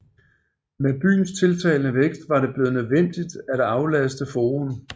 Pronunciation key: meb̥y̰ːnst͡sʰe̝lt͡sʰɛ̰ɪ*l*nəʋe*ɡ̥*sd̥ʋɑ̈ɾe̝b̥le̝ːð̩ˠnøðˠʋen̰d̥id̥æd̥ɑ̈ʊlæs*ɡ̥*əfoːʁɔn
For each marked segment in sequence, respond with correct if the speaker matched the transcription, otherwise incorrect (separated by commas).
correct, correct, incorrect